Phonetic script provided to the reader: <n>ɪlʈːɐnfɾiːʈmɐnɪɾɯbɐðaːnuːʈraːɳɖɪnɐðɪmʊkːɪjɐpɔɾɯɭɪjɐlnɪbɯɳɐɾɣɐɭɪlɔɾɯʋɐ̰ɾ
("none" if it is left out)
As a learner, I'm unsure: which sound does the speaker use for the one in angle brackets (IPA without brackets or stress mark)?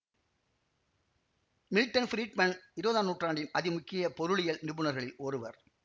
m